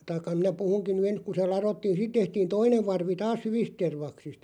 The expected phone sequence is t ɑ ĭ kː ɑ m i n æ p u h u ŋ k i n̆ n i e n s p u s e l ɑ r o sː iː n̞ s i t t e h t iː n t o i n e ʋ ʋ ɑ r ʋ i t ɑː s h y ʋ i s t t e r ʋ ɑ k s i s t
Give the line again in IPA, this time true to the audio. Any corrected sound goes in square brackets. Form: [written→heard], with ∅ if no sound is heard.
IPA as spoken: t ɑ ĭ kː ɑ m i n æ p u h u ŋ k i n̆ n [i→y] e n s [p→k] u s e l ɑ r o [sː→tː] iː n̞ s i t t e h t iː n t o i n e ʋ ʋ ɑ r ʋ i t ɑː s h y ʋ i s t t e r ʋ ɑ k s i s t